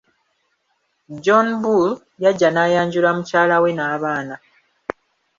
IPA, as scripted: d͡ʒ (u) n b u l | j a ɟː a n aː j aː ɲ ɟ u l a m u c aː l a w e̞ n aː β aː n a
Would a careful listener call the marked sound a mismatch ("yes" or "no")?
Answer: yes